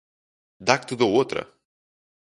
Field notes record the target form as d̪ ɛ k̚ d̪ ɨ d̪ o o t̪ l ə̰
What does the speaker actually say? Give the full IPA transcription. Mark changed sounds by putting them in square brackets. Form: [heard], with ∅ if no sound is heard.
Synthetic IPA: d̪ [a] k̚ [t̪] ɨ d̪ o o t̪ [ɾ] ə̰